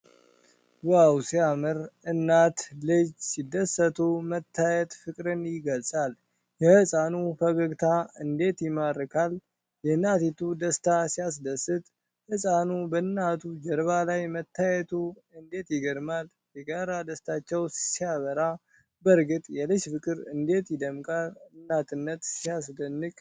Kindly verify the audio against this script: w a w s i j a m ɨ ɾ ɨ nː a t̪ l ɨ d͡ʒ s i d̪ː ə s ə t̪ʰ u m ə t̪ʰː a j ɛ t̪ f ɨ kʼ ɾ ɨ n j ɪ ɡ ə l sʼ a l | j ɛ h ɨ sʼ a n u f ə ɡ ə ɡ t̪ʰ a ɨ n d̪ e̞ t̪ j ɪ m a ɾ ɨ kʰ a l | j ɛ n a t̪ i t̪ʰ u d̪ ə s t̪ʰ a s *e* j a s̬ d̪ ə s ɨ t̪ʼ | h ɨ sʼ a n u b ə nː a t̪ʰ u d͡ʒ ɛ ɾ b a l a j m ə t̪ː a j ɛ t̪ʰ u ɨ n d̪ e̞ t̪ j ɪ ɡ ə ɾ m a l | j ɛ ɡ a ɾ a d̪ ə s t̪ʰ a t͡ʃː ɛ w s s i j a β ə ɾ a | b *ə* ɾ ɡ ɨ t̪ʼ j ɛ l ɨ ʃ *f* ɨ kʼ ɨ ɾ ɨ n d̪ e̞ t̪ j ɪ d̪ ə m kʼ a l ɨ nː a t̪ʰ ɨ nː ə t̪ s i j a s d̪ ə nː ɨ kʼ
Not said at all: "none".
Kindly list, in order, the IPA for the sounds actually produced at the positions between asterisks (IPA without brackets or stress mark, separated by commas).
i, ə, f